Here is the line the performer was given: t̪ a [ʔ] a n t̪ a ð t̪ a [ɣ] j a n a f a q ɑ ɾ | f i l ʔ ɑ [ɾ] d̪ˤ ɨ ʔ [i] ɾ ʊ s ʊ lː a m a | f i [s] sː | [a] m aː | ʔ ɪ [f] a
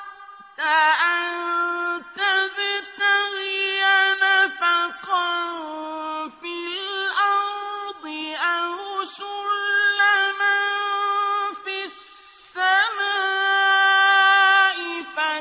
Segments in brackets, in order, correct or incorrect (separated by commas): correct, correct, correct, incorrect, correct, correct, correct